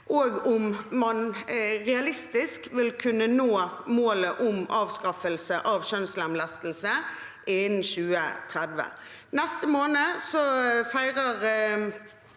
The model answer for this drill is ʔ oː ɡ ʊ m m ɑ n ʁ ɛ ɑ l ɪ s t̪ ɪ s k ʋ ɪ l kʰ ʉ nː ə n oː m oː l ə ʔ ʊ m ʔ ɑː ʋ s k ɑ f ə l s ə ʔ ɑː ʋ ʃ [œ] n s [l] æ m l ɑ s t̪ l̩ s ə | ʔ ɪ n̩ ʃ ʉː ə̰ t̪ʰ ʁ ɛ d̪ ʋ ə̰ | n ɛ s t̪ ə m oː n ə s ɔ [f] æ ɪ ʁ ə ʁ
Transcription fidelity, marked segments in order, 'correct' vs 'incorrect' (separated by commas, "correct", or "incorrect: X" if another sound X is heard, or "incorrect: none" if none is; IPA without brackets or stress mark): correct, correct, correct